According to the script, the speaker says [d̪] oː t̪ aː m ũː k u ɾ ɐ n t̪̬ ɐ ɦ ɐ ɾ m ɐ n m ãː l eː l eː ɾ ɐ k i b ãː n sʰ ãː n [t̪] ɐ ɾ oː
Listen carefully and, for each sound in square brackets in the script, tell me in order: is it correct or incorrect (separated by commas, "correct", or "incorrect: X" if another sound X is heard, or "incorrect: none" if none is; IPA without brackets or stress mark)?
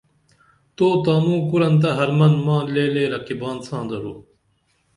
incorrect: t̪, incorrect: d̪